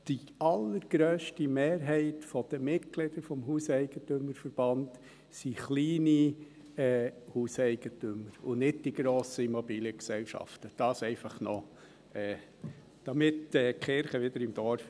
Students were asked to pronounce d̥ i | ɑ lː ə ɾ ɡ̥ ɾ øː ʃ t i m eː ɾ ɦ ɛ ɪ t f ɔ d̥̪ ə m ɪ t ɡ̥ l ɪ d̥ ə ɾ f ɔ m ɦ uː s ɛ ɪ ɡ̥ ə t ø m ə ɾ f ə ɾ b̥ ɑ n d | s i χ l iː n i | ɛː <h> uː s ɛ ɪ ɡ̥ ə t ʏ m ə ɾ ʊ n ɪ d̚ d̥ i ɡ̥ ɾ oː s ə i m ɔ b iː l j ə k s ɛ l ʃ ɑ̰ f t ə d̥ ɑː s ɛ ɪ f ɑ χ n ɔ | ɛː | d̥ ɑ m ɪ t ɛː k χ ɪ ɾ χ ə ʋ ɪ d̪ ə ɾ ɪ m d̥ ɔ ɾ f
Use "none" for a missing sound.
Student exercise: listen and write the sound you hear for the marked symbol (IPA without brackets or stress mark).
h